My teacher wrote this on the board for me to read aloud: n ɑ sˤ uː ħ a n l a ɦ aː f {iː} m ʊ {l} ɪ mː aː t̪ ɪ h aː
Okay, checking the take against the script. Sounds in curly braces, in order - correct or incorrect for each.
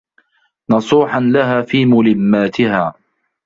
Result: correct, correct

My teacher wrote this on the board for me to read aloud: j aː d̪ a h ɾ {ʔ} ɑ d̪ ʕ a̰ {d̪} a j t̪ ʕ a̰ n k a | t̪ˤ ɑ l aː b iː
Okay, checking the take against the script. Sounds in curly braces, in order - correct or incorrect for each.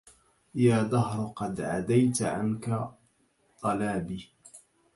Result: incorrect: q, correct

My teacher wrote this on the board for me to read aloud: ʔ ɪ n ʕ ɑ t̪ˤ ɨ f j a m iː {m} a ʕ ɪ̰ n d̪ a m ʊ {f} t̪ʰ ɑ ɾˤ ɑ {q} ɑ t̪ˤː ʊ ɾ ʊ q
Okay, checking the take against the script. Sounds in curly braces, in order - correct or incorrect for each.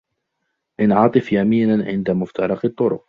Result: incorrect: n, correct, correct

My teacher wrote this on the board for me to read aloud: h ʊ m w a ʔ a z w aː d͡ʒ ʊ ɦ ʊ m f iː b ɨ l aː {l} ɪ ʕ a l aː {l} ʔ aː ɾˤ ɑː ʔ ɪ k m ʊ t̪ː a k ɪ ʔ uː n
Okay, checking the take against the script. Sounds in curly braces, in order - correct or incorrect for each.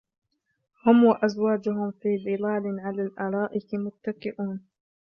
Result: correct, correct

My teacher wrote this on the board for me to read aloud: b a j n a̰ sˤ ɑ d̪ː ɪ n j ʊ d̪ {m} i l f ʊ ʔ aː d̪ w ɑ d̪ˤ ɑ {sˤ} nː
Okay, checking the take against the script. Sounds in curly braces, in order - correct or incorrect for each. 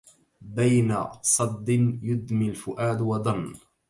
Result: correct, incorrect: none

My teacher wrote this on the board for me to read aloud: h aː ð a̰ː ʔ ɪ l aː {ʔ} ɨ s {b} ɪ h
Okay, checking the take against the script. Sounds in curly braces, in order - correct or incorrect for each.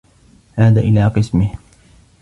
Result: incorrect: q, incorrect: m

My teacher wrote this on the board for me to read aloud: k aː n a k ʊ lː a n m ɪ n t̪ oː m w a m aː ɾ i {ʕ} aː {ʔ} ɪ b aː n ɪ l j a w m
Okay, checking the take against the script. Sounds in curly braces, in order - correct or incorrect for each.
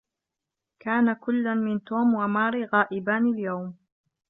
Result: incorrect: ɣ, correct

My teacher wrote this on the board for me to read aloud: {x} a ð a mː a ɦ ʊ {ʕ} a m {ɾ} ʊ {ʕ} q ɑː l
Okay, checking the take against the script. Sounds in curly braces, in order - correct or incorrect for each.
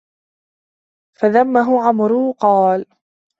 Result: incorrect: f, correct, correct, incorrect: none

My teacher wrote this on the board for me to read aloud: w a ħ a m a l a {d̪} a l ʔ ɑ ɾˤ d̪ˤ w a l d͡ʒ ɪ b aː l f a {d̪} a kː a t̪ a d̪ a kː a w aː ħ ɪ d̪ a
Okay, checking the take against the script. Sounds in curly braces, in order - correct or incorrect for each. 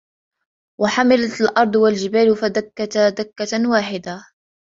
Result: incorrect: t̪, correct

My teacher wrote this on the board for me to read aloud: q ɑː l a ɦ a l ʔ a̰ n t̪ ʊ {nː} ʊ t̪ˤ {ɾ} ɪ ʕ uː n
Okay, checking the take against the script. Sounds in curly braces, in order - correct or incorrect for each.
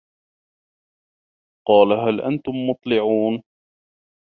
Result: incorrect: mː, incorrect: l

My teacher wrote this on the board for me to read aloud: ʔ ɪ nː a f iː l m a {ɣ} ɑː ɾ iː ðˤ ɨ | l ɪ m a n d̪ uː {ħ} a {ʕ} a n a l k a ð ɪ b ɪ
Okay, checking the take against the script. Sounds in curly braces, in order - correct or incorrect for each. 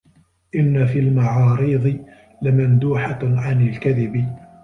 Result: incorrect: ʕ, correct, correct

